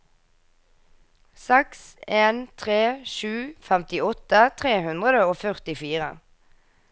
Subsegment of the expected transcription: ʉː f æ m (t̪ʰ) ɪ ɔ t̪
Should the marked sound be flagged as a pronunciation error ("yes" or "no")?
yes